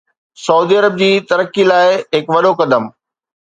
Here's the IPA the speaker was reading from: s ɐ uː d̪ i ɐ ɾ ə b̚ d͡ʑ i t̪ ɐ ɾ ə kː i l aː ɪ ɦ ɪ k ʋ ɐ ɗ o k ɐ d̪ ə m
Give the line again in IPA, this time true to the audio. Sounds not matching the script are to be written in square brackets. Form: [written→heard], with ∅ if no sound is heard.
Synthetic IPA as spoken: s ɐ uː d̪ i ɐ ɾ ə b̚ d͡ʑ [i→iː] t̪ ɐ ɾ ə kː i l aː ɪ ɦ ɪ k ʋ ɐ ɗ o k ɐ d̪ ə m